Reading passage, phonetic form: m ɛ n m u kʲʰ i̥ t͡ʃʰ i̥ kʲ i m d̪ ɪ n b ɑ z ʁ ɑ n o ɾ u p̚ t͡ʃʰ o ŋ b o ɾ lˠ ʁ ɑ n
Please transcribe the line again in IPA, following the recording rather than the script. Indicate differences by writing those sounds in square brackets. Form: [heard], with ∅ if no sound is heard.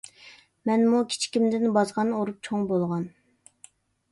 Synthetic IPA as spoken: m ɛ n m u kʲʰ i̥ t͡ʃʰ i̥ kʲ i m d̪ ɪ n b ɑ z ʁ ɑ n o ɾ u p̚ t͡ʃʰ o ŋ b o [∅] lˠ ʁ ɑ n